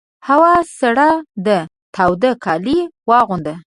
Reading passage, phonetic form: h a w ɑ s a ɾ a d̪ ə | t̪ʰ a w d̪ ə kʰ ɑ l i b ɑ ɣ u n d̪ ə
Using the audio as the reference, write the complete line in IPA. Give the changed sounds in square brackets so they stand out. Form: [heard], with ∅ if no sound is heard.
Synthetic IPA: h a w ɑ s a [ɽ] a d̪ ə | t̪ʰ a w d̪ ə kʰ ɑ l i [w] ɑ ɣ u n d̪ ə